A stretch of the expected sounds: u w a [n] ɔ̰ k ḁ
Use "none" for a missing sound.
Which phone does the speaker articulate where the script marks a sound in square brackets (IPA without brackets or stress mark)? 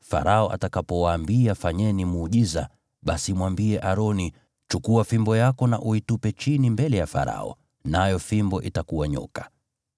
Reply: ɲ